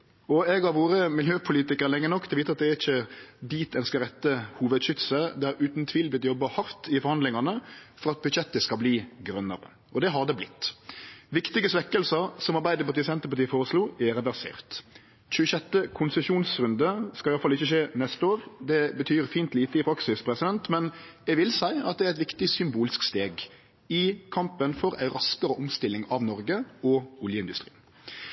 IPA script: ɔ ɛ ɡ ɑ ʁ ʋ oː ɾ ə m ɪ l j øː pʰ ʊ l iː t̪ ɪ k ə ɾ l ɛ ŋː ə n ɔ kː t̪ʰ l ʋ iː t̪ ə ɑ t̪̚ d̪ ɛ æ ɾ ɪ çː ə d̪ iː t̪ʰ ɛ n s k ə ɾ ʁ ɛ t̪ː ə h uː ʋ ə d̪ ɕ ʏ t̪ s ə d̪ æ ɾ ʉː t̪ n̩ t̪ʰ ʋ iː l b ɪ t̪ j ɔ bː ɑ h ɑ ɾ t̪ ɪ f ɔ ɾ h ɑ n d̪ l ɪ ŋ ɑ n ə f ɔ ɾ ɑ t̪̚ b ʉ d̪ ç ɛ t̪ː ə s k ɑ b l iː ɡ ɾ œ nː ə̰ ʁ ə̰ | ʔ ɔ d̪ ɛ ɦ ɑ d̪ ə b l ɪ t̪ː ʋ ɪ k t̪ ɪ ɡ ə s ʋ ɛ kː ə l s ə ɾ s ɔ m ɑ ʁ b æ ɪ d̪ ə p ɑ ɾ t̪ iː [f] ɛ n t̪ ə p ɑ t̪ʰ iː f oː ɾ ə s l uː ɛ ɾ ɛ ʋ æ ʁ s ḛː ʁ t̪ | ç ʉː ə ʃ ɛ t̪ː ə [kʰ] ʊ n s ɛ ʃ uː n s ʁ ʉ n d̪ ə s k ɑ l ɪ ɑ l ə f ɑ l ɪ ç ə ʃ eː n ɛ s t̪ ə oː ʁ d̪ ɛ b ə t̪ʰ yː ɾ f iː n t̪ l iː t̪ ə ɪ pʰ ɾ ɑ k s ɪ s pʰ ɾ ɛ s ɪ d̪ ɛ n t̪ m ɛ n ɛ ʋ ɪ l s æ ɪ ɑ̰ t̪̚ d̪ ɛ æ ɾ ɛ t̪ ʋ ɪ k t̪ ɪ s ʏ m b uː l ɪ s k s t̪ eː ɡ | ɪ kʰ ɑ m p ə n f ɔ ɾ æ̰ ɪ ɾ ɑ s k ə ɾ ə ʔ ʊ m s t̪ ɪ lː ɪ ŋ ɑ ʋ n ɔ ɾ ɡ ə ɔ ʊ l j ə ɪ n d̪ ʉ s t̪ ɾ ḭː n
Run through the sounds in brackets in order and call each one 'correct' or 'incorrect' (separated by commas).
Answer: incorrect, correct